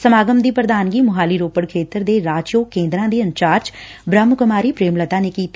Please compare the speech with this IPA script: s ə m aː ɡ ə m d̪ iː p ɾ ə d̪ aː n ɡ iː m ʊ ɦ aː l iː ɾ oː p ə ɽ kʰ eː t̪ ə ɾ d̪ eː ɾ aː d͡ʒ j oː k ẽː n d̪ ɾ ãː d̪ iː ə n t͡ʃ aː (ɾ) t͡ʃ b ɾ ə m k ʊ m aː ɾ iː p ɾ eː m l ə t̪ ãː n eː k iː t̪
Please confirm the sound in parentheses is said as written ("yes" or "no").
yes